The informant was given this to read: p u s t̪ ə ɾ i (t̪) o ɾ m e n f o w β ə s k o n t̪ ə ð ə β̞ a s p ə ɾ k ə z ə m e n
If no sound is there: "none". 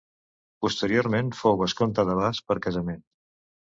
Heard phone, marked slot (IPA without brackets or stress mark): none